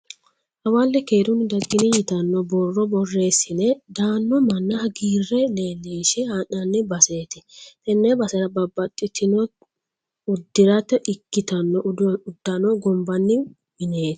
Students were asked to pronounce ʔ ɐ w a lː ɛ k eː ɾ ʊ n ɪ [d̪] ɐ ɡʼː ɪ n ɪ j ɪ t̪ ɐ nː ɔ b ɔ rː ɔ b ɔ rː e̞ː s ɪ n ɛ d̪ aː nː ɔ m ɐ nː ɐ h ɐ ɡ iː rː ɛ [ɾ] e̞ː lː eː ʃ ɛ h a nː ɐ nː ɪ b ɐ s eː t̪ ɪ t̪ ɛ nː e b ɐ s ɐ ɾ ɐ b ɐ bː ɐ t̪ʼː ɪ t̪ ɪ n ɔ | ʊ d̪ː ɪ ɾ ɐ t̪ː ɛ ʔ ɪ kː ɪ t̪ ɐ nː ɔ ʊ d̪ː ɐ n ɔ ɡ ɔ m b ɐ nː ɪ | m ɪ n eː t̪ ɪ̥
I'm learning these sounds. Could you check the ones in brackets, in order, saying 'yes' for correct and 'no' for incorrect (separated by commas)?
yes, no